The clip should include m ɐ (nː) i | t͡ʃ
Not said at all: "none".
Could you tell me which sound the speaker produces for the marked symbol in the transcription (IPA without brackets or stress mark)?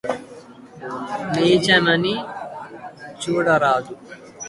n